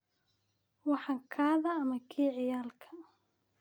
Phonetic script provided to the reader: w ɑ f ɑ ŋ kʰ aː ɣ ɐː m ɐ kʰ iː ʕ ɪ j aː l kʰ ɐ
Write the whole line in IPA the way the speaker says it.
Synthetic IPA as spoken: w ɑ ħ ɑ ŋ kʰ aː ð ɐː m ɐ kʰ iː ʕ ɪ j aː l kʰ ɐ